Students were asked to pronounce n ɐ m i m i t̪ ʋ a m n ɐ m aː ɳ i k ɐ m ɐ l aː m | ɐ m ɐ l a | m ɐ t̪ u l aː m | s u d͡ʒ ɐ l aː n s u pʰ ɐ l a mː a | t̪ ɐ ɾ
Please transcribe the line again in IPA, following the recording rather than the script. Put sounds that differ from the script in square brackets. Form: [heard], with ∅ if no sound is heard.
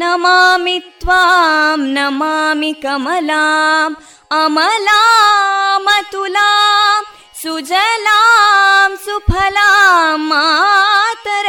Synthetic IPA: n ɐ m [a] m i t̪ ʋ a m n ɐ m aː [m] i k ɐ m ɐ l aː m | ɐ m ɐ l a | m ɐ t̪ u l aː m | s u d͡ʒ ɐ l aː [m] s u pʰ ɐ l a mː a | t̪ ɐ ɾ